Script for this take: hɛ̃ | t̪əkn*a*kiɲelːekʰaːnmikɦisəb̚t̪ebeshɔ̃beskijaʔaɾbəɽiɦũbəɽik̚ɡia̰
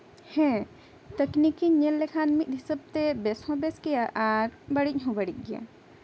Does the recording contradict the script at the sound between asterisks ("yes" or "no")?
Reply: yes